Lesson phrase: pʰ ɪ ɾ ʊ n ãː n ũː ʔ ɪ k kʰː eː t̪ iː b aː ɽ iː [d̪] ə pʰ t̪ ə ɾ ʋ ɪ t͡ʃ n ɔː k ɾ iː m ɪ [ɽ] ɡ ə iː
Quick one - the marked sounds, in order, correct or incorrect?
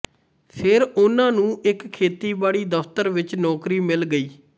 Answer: correct, incorrect: l

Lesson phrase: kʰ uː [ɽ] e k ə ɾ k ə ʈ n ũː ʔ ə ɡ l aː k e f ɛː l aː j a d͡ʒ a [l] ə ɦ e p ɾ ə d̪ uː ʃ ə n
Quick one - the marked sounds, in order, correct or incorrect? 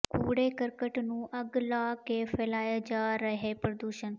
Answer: correct, incorrect: ɾ

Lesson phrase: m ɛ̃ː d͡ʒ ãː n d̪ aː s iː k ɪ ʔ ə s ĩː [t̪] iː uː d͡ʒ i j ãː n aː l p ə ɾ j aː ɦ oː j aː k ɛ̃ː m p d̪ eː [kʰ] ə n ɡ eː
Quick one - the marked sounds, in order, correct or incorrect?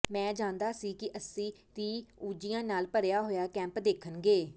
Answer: correct, correct

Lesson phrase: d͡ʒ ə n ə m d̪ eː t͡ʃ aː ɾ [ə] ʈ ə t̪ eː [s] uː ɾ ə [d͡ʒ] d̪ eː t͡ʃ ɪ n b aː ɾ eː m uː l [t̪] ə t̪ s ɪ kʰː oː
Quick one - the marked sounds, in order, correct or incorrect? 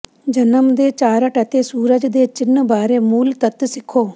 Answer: correct, correct, correct, correct

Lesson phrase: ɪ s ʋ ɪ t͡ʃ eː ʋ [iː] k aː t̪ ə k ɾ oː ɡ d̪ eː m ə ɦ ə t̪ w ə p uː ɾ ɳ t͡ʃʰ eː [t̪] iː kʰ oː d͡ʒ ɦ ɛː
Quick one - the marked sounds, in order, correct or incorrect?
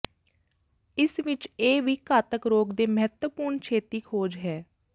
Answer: correct, correct

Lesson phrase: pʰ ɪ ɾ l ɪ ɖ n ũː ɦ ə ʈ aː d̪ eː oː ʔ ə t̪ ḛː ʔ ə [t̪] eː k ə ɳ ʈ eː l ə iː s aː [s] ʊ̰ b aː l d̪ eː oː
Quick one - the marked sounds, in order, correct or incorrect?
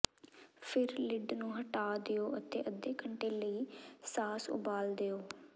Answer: incorrect: d̪, correct

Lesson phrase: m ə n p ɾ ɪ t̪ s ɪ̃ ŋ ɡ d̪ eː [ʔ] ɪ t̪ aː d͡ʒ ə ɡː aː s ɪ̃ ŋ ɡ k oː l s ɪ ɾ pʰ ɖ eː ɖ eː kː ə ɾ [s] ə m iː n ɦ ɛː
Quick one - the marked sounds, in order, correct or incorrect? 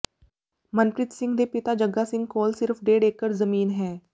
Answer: incorrect: p, incorrect: z

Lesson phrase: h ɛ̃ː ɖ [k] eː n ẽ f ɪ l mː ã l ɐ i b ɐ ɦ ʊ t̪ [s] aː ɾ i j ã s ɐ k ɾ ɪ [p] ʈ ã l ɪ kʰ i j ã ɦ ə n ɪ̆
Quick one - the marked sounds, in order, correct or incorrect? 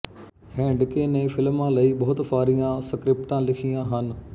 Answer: correct, incorrect: f, correct

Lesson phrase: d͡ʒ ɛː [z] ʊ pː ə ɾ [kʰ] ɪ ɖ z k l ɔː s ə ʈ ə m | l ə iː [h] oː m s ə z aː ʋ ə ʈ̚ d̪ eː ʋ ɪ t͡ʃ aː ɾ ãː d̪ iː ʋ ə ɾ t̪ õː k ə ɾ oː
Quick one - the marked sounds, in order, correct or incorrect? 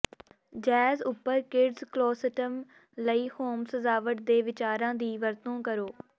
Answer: correct, incorrect: k, correct

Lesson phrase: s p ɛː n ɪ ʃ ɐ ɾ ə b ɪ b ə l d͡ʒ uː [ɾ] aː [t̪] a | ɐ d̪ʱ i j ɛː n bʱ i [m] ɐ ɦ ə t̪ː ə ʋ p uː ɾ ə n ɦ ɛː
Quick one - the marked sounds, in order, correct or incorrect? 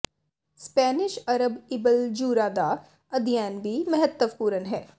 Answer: correct, incorrect: d̪, correct

